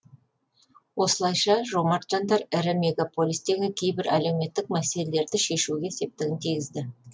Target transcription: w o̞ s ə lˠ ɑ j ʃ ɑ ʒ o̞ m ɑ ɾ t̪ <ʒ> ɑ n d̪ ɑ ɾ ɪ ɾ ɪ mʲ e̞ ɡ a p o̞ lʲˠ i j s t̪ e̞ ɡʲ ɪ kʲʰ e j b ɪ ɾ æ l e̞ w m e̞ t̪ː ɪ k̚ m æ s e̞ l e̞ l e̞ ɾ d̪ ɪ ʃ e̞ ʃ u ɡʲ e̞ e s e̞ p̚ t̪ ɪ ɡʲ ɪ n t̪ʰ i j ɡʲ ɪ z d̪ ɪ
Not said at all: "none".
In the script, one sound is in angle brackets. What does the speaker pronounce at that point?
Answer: ʒ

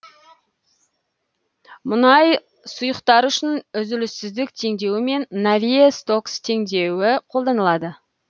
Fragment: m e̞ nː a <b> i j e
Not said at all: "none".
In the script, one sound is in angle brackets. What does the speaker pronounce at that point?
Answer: v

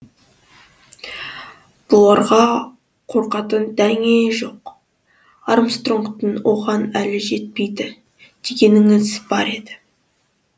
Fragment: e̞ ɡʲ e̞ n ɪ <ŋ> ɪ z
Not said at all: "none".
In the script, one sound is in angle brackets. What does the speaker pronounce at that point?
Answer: ŋ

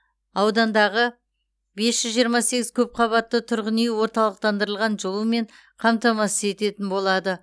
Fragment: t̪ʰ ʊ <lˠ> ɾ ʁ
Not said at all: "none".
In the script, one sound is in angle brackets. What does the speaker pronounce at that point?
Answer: none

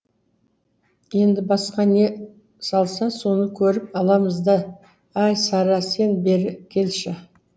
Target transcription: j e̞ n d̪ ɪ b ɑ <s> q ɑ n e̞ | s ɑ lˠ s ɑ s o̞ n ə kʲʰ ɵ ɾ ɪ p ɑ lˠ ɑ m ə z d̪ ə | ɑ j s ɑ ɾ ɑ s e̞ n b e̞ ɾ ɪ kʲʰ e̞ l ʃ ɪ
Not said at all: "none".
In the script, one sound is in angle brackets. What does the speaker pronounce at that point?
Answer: s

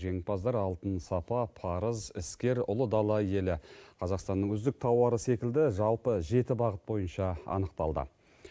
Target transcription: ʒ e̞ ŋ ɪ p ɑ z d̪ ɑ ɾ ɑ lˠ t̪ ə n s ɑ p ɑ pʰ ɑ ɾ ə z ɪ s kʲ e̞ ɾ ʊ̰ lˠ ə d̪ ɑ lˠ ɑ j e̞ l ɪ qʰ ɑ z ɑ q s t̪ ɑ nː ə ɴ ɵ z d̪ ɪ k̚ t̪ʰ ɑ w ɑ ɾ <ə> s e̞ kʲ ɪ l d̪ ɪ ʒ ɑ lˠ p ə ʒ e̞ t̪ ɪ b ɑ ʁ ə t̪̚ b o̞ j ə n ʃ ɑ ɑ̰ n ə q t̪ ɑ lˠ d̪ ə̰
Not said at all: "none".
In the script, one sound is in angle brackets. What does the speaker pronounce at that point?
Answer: ə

